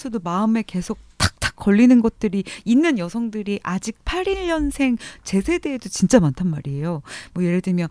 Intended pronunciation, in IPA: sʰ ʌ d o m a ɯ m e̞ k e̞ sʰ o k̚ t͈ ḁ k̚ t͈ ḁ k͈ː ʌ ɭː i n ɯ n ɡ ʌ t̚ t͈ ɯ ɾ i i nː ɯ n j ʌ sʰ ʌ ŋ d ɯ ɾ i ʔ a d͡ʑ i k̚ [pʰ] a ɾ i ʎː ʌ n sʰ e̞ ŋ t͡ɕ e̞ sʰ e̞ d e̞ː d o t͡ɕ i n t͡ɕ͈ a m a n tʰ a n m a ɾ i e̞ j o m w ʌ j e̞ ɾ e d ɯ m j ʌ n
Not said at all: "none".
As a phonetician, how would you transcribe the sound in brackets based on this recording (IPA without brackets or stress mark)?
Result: pʰ